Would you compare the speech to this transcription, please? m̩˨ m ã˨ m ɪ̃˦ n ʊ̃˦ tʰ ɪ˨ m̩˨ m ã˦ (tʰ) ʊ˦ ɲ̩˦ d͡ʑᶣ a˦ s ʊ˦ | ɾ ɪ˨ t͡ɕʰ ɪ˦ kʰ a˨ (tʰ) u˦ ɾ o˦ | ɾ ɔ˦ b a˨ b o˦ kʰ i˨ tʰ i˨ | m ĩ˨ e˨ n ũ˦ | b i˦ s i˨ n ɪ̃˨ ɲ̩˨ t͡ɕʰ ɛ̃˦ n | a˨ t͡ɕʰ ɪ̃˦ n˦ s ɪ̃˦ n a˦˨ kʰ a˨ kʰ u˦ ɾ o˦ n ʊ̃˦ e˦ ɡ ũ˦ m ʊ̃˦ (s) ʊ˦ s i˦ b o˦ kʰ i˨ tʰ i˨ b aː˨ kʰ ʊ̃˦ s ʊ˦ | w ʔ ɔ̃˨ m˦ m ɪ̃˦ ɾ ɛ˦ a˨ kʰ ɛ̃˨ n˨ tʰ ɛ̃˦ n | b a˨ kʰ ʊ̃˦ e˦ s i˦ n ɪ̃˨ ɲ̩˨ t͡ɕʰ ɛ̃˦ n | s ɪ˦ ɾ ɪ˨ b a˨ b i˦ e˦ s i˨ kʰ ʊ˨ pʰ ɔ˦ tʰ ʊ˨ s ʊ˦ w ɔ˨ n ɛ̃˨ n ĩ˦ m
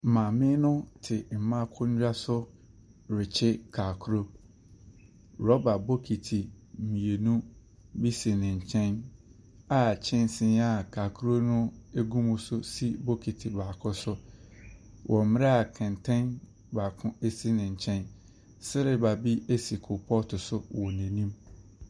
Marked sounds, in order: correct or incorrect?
incorrect, incorrect, correct

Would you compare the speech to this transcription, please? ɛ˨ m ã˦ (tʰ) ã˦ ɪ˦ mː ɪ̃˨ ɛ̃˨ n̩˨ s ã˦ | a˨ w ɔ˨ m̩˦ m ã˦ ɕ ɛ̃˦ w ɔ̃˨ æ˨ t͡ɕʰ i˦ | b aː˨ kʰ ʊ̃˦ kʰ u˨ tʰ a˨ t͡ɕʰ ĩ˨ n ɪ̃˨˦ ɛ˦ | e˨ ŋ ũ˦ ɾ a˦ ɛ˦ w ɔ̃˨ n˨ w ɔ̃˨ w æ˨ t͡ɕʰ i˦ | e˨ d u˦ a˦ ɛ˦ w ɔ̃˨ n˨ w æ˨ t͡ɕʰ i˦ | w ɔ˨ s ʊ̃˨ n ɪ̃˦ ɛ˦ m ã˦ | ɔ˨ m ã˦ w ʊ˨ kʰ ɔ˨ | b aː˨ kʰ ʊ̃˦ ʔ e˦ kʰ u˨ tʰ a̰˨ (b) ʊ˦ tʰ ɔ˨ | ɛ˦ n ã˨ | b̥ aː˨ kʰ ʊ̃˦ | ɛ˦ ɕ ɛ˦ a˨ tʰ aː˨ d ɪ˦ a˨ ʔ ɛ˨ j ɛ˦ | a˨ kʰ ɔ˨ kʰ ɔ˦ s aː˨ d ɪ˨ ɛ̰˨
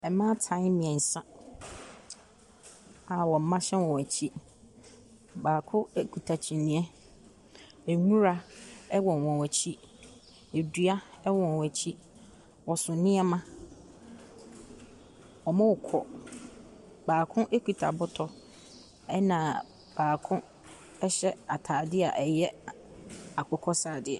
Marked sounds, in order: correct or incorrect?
correct, correct

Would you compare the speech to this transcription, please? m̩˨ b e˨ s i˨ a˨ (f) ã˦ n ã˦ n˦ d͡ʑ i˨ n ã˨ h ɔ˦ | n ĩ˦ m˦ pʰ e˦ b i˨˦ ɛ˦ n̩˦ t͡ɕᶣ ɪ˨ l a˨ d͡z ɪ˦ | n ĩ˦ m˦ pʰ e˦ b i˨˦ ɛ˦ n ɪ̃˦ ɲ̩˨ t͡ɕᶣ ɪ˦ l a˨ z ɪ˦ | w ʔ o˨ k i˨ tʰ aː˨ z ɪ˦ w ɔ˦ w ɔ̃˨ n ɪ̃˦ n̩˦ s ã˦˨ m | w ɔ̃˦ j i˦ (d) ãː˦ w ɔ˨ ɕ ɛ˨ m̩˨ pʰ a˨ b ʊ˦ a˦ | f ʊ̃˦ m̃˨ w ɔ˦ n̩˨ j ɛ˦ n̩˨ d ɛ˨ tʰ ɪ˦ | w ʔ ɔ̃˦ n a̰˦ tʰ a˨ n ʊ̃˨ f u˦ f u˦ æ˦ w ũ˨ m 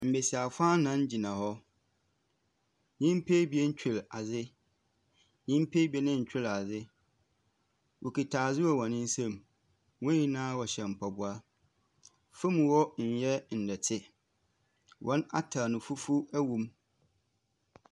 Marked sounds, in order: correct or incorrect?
correct, incorrect

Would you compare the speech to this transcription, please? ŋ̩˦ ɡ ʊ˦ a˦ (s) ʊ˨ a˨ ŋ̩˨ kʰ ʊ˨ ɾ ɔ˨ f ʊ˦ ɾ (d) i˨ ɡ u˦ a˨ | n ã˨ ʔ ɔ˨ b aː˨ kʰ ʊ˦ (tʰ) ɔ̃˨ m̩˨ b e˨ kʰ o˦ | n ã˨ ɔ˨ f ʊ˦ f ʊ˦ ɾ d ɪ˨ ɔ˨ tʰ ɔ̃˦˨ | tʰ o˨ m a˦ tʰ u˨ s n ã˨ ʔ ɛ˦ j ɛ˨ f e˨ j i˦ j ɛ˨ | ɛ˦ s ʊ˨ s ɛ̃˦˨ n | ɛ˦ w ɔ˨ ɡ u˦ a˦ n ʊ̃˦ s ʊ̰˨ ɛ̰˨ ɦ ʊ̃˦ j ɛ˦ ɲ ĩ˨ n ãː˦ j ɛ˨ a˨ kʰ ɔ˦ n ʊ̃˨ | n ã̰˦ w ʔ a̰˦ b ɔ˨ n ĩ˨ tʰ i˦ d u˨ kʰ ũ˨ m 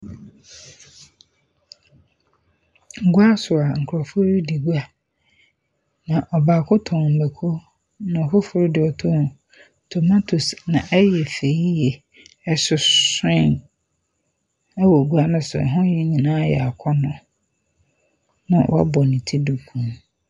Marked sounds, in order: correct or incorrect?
correct, correct, correct

